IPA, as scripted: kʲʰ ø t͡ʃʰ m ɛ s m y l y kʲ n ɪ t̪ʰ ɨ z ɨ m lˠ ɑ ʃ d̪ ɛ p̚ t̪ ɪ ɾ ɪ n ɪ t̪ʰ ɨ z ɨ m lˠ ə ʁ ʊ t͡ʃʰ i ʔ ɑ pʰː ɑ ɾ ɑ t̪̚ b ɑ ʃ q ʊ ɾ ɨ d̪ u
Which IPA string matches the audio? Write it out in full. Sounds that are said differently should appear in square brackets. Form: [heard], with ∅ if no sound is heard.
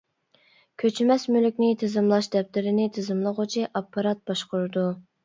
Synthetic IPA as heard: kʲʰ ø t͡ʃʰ m ɛ s m y l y kʲ n ɪ t̪ʰ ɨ z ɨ m lˠ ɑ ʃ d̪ ɛ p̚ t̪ ɪ ɾ ɪ n ɪ t̪ʰ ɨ z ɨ m lˠ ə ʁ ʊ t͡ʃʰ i ʔ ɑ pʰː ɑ ɾ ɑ t̪̚ b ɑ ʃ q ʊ ɾ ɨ d̪ u